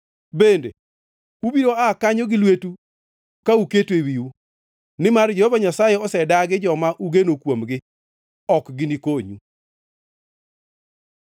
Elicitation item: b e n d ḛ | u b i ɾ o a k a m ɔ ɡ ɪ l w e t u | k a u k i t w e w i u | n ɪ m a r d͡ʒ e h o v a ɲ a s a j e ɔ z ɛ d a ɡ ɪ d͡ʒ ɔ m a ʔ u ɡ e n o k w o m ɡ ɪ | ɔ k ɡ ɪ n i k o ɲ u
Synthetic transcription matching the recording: b e n d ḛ | u b i ɾ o a k a ɲ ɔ ɡ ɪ l w e t u | k a u k e t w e w i u | n ɪ m a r d͡ʒ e h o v a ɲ a s a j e ɔ s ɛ d a ɡ ɪ d͡ʒ ɔ m a ʔ u ɡ e n o k w o m ɡ ɪ | ɔ k ɡ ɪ n i k o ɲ u